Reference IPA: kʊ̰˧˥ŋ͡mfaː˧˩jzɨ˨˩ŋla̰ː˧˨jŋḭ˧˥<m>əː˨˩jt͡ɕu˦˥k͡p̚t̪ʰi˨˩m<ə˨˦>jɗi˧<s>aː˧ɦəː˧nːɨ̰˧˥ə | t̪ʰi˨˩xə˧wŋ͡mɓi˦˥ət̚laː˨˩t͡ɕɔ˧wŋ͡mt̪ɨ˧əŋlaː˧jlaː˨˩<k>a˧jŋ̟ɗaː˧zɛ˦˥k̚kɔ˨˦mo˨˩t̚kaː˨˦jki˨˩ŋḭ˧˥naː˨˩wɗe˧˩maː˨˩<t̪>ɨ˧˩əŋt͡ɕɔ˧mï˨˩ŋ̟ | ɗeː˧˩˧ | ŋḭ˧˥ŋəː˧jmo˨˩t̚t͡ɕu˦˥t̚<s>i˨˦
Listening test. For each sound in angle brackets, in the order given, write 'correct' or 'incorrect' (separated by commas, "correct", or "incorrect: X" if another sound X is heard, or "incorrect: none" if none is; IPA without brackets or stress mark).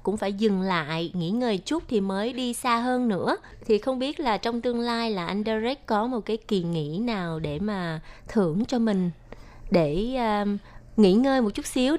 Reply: incorrect: ŋ, incorrect: əː˨˦, correct, incorrect: ʔ, incorrect: t̪ʰ, correct